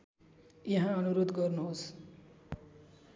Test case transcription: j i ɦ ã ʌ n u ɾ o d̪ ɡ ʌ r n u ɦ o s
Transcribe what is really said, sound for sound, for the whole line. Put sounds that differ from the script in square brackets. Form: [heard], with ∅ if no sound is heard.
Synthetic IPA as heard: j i ɦ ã ʌ n u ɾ o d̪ ɡ ʌ r n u ɦ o s